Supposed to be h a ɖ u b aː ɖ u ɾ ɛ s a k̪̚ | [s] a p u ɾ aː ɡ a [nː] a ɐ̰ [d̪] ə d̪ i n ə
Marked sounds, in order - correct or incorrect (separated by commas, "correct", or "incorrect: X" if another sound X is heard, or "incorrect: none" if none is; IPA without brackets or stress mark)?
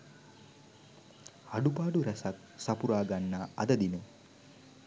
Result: correct, correct, correct